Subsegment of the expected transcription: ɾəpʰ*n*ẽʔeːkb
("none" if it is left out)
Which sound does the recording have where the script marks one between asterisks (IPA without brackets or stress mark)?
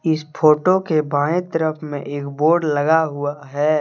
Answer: m